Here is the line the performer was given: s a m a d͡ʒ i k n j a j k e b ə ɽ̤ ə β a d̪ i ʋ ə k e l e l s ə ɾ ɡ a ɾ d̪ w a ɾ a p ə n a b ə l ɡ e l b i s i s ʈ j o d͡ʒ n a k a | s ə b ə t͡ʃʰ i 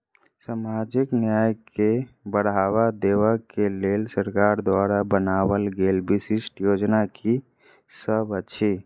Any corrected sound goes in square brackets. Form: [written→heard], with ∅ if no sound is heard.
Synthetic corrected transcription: s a m a d͡ʒ i k n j a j k e b ə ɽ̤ [ə→a] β a d̪ [i→e] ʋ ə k e l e l s ə ɾ [ɡ→k] a ɾ d̪ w a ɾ a [p→b] ə n a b ə l ɡ e l b i s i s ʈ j o d͡ʒ n a k [a→i] | s ə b ə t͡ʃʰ i